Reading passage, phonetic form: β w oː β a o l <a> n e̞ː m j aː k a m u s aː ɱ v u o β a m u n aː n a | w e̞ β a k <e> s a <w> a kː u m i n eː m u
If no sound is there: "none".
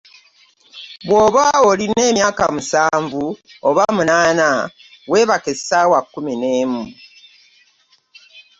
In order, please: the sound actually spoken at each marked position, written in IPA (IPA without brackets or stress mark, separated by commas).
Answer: i, e, w